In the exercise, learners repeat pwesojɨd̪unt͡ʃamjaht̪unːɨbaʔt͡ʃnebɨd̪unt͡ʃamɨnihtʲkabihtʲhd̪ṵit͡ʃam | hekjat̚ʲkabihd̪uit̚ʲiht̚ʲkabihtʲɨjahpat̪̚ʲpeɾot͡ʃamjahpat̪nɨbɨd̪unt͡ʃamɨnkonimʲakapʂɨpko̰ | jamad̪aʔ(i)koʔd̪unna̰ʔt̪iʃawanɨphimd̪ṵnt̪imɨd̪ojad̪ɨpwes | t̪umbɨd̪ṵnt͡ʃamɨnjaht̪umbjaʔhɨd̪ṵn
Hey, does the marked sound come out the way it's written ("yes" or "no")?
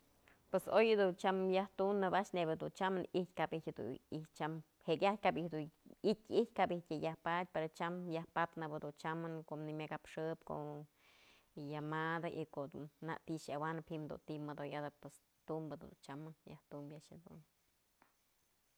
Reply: yes